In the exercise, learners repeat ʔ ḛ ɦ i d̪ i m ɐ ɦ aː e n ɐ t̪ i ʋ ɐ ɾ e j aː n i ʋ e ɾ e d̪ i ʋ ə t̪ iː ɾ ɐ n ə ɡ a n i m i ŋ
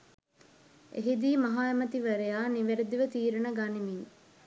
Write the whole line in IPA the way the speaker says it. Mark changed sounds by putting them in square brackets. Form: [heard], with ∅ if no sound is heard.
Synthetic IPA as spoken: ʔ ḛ ɦ i d̪ [iː] m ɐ ɦ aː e [m] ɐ t̪ i ʋ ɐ ɾ e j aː n i ʋ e ɾ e d̪ i ʋ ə t̪ iː ɾ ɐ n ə ɡ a n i m i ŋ